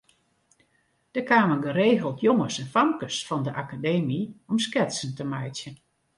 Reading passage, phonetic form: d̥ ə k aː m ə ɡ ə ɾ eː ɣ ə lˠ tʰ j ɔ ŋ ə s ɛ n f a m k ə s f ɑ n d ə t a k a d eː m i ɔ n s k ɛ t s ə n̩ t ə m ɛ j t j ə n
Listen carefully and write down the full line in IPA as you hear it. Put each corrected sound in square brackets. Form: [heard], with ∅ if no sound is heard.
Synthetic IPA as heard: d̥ ə k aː m ə ɡ ə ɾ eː ɣ ə lˠ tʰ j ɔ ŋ ə s ɛ n f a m k ə s f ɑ n d ə [ʔ] a k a d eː m i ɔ [m] s k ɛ t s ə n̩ t ə m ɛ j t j ə n